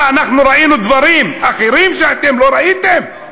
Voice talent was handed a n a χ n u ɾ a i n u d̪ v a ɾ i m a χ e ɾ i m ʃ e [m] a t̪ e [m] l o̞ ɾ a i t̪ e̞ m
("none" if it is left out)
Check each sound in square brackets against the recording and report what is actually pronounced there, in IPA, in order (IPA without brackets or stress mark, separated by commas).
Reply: none, m